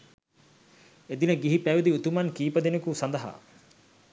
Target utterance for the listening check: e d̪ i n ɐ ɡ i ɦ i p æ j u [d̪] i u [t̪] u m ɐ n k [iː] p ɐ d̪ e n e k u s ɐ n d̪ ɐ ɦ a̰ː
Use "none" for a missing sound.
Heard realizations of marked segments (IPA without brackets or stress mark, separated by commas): d̪, t̪, iː